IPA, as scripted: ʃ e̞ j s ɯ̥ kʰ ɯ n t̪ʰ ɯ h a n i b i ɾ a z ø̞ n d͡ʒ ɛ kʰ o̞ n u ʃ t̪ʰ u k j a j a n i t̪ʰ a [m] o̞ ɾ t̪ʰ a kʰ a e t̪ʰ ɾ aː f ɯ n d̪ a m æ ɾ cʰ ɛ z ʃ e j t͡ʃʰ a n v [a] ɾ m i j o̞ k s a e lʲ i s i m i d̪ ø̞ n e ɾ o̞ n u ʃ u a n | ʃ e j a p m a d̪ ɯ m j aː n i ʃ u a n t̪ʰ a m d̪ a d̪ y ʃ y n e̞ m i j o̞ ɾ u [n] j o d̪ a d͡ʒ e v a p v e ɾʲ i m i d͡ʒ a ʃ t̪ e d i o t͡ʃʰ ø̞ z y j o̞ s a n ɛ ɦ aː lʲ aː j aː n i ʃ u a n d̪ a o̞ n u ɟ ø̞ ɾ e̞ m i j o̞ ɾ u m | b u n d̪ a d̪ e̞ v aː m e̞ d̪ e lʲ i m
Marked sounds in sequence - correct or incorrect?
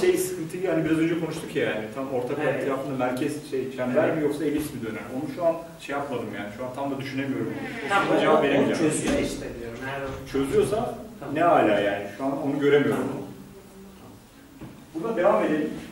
correct, incorrect, incorrect

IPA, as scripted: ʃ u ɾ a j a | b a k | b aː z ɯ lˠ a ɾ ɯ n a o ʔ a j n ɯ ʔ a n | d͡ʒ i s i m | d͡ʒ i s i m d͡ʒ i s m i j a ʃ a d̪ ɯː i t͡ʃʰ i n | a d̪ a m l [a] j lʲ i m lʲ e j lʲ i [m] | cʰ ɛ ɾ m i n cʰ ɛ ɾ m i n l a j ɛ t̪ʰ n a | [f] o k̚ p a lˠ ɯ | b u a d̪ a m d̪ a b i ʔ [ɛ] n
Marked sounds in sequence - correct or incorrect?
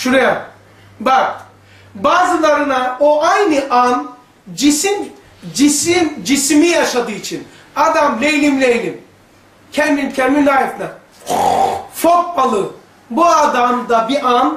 incorrect, correct, correct, incorrect

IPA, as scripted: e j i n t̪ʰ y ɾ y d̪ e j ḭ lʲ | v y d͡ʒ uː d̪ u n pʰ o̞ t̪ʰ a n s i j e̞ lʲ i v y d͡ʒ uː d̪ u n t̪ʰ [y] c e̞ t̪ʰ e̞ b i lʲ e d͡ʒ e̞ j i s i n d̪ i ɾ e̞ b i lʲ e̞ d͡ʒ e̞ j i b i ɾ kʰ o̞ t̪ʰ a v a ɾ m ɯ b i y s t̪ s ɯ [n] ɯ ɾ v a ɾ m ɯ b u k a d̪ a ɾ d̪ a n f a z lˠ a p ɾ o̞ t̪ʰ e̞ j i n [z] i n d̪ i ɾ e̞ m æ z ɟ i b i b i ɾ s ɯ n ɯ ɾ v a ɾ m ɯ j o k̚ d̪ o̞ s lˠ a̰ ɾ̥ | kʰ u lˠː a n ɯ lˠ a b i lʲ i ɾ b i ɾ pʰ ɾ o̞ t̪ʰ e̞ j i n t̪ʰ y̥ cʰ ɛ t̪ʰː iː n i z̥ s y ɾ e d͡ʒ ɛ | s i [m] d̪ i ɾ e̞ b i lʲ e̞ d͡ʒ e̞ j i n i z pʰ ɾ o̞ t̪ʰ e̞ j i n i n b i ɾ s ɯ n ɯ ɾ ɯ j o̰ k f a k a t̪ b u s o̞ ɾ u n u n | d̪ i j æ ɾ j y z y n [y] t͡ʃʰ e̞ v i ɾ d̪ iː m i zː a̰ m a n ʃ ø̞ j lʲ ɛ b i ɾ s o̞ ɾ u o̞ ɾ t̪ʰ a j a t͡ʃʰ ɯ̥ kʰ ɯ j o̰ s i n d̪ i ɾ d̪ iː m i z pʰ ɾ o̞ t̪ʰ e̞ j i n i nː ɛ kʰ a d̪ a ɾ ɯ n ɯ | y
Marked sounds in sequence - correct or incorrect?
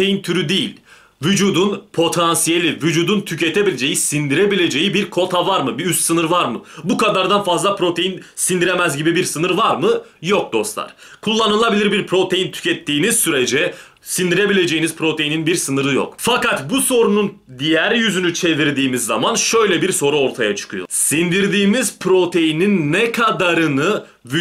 correct, correct, incorrect, incorrect, correct

